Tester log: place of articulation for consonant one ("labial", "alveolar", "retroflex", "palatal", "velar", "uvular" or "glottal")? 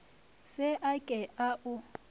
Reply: alveolar